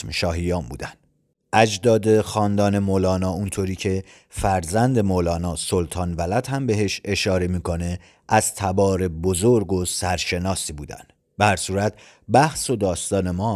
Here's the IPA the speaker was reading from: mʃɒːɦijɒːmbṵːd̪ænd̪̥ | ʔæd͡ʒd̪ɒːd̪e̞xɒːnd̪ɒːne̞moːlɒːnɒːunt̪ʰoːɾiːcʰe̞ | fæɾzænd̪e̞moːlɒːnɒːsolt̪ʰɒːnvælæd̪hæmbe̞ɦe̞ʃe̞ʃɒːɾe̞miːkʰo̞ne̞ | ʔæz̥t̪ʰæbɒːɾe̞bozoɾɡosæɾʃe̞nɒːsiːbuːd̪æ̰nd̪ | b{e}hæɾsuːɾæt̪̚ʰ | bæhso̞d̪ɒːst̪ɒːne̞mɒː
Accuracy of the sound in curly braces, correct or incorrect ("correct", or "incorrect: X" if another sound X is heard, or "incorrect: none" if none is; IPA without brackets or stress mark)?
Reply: correct